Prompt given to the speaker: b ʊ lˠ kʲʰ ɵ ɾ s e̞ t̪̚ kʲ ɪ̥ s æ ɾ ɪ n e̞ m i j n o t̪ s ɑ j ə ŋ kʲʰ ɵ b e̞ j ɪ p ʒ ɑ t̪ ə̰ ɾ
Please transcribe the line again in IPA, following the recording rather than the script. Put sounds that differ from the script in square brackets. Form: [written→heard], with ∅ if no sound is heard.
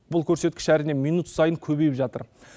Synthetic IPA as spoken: b ʊ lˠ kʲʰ ɵ ɾ s e̞ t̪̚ kʲ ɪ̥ [s→ʃ] æ ɾ ɪ n e̞ m i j n [o→u] t̪ s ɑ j ə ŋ kʲʰ ɵ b e̞ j ɪ p ʒ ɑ t̪ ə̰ ɾ